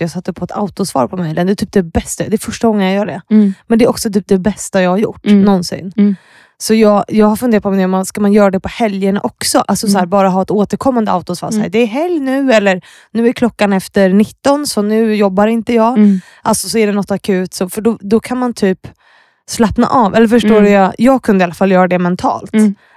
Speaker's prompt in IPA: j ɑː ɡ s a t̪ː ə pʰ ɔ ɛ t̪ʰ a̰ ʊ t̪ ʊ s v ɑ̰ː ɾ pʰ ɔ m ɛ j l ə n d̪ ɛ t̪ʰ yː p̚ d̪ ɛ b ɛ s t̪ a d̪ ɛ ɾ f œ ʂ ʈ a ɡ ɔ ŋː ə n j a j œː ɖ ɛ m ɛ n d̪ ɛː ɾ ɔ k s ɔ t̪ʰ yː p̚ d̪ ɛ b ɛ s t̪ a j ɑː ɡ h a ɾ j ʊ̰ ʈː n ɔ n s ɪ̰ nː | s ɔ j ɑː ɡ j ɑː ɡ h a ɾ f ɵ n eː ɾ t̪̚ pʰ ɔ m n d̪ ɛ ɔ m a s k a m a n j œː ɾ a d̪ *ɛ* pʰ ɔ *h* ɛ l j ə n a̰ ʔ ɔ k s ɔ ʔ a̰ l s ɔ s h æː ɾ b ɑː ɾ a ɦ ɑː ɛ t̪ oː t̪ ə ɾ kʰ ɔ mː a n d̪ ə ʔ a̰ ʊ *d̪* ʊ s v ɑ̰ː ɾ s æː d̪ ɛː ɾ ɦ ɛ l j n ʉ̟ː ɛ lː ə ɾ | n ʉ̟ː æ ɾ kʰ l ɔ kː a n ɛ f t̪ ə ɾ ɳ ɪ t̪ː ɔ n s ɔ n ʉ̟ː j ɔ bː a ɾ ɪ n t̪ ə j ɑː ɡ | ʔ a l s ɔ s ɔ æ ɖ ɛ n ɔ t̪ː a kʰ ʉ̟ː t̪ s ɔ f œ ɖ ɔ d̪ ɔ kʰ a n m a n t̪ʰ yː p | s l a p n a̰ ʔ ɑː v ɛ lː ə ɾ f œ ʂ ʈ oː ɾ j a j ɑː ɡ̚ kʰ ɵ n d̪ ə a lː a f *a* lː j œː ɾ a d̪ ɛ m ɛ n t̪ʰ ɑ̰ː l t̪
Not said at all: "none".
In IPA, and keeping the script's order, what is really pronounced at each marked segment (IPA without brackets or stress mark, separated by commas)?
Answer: ɛ, h, t̪, a